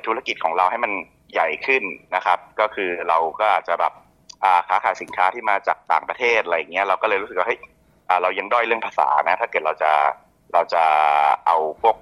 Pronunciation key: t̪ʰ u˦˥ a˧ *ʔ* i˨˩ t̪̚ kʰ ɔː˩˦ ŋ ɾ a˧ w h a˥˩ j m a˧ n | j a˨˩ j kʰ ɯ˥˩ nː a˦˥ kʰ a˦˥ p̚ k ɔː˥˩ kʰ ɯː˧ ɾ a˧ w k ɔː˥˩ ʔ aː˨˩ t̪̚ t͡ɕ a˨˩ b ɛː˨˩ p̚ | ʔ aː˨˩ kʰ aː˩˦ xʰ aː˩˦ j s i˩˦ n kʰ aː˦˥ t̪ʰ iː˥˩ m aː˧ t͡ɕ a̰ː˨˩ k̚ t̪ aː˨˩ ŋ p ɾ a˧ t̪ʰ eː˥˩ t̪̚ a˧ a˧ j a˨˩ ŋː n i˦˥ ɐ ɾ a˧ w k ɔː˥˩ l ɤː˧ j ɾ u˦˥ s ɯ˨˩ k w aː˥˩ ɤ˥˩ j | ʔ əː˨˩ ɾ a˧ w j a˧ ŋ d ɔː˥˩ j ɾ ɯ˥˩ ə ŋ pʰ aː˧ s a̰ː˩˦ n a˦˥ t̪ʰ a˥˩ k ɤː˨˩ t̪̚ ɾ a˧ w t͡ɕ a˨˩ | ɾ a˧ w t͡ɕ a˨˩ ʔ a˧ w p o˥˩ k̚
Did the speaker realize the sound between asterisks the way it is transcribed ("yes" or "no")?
no